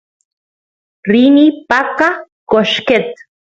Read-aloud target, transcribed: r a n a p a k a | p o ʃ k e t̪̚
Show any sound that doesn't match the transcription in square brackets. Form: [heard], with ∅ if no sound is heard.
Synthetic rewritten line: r [i] n [i] p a k a | [k] o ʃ k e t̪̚